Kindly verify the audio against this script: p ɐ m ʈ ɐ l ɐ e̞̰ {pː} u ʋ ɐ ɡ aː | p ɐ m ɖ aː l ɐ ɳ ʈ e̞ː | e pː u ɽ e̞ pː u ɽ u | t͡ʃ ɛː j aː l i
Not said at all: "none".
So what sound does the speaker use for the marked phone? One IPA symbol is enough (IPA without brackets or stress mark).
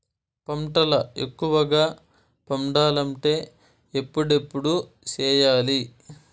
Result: kː